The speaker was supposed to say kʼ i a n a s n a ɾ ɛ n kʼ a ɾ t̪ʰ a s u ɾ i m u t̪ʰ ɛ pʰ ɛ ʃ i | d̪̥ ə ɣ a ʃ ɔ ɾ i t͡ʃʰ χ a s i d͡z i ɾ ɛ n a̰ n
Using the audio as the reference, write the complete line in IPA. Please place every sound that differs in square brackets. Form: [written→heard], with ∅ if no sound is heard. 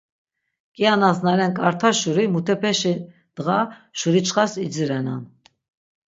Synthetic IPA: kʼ i a n a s n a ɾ ɛ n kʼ a ɾ t̪ʰ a [s→ʃ] u ɾ i m u t̪ʰ ɛ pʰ ɛ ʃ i | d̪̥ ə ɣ a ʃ [ɔ→u] ɾ i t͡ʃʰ χ a s i d͡z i ɾ ɛ n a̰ n